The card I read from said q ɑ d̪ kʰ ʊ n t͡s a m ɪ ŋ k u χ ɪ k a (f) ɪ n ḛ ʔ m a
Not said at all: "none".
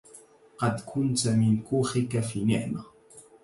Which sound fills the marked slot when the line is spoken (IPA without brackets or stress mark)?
f